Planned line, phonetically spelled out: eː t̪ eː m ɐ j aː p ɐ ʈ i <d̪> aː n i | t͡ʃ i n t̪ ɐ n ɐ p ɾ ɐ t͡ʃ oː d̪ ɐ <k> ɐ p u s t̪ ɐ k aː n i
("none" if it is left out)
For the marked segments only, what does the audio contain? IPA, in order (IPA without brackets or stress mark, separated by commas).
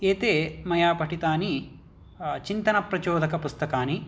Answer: t̪, k